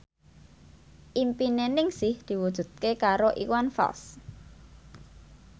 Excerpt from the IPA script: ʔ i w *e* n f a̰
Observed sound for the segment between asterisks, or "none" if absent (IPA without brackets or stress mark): a